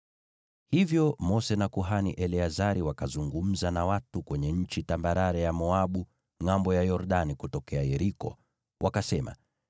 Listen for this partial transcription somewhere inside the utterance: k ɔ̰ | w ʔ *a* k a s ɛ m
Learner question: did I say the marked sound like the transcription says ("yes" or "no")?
yes